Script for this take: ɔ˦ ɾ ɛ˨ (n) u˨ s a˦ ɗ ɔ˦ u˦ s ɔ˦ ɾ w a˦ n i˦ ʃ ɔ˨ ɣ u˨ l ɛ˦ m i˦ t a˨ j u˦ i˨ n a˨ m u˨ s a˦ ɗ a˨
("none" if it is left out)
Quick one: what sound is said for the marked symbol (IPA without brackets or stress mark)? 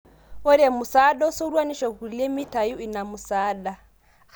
m